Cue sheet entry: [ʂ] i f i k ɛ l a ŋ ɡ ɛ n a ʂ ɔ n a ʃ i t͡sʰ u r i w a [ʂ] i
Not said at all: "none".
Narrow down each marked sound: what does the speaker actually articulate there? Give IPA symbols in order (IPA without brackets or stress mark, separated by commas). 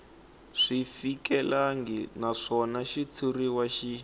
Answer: ʂ, ʃ